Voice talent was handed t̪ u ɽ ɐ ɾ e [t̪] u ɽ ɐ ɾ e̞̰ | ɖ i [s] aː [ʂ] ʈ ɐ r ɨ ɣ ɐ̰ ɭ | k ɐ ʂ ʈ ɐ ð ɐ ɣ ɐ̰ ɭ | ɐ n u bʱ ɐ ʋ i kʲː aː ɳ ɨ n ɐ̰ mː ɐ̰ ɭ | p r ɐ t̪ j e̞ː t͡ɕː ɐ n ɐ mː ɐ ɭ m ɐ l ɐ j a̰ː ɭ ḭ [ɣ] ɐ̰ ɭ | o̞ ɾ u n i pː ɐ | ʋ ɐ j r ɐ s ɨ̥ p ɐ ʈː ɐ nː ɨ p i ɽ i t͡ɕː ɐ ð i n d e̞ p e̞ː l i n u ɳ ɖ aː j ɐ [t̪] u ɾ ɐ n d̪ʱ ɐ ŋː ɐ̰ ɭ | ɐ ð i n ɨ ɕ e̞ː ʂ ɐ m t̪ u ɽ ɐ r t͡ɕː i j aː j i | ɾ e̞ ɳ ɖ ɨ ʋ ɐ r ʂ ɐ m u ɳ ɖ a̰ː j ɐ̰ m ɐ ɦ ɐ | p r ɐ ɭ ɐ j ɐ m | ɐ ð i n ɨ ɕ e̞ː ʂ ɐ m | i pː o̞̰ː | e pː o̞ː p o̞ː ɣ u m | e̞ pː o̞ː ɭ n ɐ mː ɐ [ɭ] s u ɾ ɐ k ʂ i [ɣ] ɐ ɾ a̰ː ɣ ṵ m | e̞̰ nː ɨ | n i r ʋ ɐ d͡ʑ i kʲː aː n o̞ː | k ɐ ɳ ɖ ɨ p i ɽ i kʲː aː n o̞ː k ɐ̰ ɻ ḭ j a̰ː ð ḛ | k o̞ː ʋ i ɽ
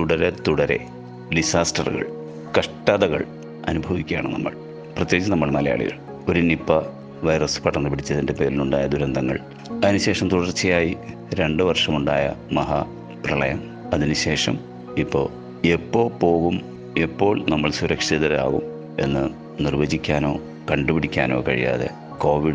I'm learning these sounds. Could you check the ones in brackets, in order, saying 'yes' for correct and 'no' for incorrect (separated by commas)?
yes, yes, no, yes, no, yes, no